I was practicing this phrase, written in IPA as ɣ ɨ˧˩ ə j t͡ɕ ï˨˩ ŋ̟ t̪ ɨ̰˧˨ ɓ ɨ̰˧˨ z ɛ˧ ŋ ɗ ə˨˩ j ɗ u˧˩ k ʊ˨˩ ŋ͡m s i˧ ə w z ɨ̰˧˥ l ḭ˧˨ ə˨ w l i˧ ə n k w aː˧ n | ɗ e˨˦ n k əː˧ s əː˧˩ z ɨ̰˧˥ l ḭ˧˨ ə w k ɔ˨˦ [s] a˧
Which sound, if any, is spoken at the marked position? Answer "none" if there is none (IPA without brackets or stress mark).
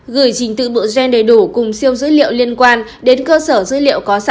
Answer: s